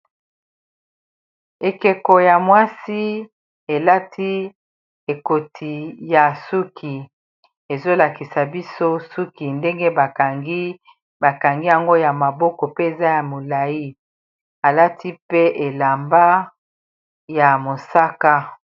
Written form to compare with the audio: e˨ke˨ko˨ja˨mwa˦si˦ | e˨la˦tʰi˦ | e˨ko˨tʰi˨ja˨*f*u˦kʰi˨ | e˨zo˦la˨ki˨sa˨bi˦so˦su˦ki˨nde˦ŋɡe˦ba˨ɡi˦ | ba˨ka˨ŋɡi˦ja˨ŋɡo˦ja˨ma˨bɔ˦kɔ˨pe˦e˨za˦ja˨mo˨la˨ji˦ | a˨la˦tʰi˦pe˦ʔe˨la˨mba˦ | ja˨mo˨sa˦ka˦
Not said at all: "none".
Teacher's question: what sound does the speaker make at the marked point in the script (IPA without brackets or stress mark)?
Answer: s